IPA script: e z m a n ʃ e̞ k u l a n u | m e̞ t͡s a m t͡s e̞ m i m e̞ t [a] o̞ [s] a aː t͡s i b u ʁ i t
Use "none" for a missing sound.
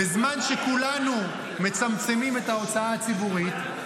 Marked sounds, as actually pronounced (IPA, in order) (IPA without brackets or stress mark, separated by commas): a, t͡s